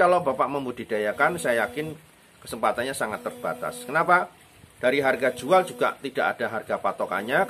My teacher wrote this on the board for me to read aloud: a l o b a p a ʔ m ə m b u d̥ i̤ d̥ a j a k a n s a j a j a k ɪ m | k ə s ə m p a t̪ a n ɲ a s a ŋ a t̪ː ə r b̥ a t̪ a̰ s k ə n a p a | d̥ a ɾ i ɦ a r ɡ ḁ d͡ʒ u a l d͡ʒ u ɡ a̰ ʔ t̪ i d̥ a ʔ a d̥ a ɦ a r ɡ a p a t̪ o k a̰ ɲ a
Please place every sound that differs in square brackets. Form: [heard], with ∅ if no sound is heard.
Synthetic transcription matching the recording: a l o b a p a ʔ m ə m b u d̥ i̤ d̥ a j a k a n s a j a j a k ɪ [n] | k ə s ə m p a t̪ a n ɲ a s a ŋ a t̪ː ə r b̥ a t̪ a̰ s k ə n a p a | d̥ a ɾ i ɦ a r ɡ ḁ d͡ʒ u a l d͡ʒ u ɡ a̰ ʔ t̪ i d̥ a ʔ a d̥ a ɦ a r ɡ a p a t̪ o k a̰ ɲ a